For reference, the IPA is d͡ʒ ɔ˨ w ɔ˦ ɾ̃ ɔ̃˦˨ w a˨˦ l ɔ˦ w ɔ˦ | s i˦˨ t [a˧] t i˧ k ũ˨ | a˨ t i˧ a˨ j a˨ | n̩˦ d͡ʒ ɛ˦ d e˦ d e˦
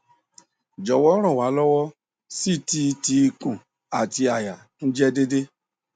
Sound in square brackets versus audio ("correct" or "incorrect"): incorrect